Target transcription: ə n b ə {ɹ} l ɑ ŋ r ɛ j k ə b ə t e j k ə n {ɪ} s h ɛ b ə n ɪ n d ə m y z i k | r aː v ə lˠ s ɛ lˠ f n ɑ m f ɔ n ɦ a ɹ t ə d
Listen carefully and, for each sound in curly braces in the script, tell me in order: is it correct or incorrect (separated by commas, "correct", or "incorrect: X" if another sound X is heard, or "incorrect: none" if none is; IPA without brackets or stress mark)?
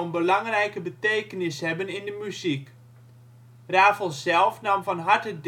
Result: incorrect: none, correct